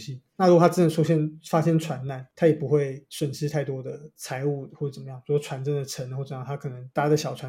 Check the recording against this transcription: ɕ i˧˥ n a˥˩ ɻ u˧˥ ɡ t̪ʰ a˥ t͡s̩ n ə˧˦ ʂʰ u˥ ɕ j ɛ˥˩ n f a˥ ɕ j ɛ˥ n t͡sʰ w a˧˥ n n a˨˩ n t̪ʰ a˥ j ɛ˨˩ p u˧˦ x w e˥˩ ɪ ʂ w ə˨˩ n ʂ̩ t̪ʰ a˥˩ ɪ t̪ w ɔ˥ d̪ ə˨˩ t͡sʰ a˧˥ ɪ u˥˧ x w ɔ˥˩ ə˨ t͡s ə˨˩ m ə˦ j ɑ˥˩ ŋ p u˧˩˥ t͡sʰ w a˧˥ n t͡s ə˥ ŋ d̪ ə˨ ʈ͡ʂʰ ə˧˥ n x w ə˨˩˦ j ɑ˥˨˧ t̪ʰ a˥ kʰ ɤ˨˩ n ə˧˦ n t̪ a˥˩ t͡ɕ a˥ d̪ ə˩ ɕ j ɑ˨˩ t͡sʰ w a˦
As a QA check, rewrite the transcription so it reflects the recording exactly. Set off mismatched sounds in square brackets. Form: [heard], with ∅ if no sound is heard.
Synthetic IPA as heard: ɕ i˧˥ n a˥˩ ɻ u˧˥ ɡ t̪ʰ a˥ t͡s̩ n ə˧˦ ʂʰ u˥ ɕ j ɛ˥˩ n f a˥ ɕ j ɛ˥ n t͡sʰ w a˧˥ n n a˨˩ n t̪ʰ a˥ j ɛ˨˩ p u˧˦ x w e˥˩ ɪ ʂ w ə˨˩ n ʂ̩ t̪ʰ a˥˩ ɪ t̪ w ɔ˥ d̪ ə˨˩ t͡sʰ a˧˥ ɪ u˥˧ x w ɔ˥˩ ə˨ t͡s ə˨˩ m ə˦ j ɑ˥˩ ŋ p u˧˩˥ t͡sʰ w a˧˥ n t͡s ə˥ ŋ d̪ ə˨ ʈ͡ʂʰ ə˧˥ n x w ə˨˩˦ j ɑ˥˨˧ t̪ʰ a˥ kʰ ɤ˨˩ n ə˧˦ [ŋ] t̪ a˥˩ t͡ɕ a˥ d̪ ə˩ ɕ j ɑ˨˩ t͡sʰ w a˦